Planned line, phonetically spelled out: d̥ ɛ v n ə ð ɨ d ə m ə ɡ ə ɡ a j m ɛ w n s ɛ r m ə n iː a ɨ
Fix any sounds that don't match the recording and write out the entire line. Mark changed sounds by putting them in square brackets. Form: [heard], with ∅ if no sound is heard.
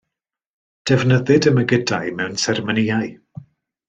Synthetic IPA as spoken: d̥ ɛ v n ə ð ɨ d ə m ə ɡ ə [d] a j m ɛ w n s ɛ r m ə n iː a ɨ